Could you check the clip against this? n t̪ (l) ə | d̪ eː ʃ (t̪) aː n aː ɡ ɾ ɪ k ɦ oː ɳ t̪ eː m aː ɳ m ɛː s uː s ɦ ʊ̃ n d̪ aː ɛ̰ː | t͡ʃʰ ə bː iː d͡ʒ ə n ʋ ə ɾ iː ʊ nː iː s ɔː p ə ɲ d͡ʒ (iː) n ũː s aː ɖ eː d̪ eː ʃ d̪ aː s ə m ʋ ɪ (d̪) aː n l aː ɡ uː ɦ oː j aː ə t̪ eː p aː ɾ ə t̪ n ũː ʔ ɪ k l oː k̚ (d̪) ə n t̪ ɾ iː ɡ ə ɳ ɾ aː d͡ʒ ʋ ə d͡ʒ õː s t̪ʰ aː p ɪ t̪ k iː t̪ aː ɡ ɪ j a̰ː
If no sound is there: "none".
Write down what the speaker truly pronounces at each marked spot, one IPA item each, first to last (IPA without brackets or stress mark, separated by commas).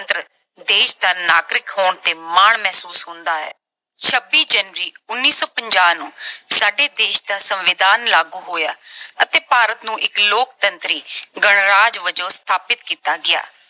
ɾ, d̪, aː, d̪, t̪